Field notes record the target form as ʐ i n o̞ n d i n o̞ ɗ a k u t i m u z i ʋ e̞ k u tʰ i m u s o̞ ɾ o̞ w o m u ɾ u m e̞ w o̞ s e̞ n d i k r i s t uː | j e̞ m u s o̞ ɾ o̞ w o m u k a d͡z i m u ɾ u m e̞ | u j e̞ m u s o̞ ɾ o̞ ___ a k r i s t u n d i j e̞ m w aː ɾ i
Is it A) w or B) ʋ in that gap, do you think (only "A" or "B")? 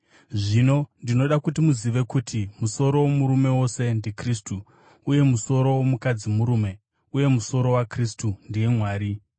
A